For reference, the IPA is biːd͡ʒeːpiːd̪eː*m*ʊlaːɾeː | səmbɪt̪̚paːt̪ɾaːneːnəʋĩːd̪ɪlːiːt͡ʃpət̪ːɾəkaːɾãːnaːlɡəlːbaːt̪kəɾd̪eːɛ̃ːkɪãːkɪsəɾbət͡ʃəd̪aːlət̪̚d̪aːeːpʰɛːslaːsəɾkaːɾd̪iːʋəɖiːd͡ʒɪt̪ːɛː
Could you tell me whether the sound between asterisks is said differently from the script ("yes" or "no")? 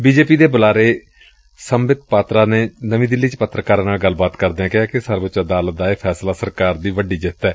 yes